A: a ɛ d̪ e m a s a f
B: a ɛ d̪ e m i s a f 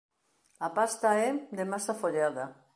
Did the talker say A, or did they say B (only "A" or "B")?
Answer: A